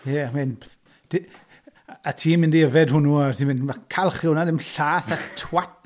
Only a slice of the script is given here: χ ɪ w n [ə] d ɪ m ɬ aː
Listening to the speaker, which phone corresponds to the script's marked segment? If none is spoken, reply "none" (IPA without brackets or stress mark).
a